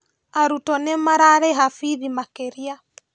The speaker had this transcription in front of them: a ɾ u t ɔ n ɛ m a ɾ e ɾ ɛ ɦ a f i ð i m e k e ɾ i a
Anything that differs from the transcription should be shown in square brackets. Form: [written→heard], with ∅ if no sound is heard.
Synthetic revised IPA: a ɾ u t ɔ n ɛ m a ɾ [e→a] ɾ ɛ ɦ a f i ð i m [e→a] k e ɾ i a